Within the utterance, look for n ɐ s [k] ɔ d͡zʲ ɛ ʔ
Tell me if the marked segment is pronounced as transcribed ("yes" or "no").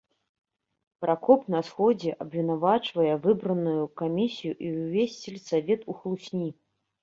no